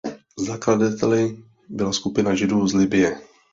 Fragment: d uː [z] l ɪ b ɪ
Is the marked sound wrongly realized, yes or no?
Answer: no